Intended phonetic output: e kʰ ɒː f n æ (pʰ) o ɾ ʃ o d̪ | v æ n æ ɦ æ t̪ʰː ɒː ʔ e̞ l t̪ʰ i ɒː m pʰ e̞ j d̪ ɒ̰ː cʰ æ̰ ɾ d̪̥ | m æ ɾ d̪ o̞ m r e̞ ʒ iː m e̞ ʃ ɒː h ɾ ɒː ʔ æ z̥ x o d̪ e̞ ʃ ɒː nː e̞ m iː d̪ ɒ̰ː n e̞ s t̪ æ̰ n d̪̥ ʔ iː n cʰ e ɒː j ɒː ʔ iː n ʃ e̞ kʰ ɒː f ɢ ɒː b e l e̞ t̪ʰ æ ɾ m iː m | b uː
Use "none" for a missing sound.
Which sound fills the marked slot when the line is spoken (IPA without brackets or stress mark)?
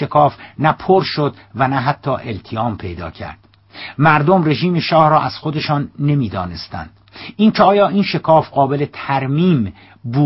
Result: pʰ